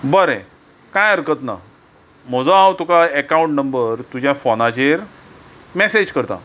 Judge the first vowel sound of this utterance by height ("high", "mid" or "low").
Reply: mid